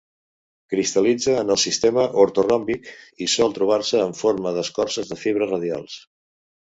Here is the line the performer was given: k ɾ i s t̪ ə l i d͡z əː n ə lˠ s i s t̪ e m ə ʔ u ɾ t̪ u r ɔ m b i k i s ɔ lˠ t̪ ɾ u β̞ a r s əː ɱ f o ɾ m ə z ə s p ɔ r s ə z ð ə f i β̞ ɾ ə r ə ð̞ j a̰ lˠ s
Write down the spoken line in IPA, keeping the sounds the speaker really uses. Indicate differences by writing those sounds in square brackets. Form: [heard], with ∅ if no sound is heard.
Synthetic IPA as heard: k ɾ i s t̪ ə l i d͡z əː n ə lˠ s i s t̪ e m ə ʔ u ɾ t̪ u r ɔ m b i k i s ɔ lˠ t̪ ɾ u β̞ a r s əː ɱ f o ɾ m ə [ð] ə s [k] ɔ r s ə z ð ə f i β̞ ɾ ə r ə ð̞ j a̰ lˠ s